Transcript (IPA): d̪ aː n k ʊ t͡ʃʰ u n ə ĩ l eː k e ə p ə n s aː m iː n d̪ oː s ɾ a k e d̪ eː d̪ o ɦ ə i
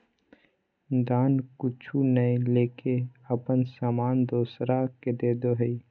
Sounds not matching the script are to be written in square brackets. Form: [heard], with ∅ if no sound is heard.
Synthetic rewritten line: d̪ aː n k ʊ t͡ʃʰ u n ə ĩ l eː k e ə p ə n s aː m [aː] n d̪ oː s ɾ a k e d̪ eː d̪ o ɦ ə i

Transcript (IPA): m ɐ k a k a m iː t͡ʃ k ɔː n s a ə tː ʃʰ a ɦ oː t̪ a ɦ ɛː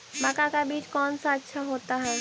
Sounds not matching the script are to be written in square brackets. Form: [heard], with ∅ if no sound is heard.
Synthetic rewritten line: m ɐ k a k a [b] iː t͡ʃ k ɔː n s a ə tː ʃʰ a ɦ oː t̪ a ɦ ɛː

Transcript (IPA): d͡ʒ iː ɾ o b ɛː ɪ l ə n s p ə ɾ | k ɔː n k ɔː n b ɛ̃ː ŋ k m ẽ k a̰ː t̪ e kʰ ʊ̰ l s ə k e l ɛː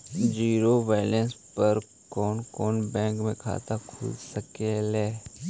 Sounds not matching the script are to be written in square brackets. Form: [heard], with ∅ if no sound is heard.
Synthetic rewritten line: d͡ʒ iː ɾ o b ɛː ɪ l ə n s p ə ɾ | k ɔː n k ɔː n b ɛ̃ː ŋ k m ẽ [kʰ] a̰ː t̪ [a] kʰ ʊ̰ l s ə k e l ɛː

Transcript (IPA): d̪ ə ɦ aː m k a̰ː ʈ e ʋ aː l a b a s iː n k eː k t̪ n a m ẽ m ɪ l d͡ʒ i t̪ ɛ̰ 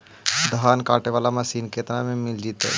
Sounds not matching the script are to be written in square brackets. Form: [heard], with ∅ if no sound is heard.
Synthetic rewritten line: d̪ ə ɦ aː [n] k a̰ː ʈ e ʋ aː l a [m] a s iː n k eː [∅] t̪ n a m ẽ m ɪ l d͡ʒ i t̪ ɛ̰

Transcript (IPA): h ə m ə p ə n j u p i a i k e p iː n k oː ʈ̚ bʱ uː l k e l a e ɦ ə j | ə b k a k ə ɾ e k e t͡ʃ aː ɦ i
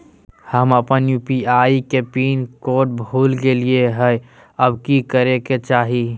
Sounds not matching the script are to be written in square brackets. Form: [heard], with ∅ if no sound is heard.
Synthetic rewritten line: h ə m ə p ə n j u p i a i k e p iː n k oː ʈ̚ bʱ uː l [ɡ] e l [i] e ɦ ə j | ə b k [i] k ə ɾ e k e t͡ʃ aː ɦ i

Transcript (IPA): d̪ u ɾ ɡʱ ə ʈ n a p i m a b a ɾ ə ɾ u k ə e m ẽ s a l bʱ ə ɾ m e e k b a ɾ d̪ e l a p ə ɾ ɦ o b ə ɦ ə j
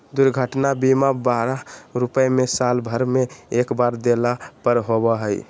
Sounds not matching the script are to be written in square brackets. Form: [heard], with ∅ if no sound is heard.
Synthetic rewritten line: d̪ u ɾ ɡʱ ə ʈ n a [b] i m a b a ɾ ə ɾ u [p] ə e m [e] s a l bʱ ə ɾ m e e k b a ɾ d̪ e l a p ə ɾ ɦ o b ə ɦ ə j

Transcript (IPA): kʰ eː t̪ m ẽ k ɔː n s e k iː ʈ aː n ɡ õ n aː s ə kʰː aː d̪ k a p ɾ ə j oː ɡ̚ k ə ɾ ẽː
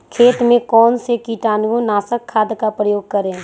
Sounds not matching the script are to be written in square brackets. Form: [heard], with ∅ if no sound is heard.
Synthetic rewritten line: kʰ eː t̪ m ẽ k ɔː n s e k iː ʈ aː n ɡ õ n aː s ə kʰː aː d̪ k a p ɾ ə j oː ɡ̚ k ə ɾ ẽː

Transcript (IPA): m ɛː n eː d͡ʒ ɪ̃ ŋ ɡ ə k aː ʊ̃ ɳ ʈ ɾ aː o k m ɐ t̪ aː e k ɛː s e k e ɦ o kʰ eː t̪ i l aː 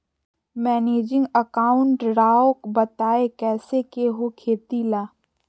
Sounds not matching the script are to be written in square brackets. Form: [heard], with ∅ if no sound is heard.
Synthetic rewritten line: m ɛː n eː d͡ʒ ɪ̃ ŋ ɡ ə k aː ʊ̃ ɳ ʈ ɾ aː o k [b] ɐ t̪ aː e k ɛː s e k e ɦ o kʰ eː t̪ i l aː

